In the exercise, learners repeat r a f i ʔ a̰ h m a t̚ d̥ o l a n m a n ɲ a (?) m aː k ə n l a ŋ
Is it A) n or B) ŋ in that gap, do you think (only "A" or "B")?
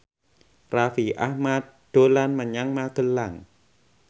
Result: B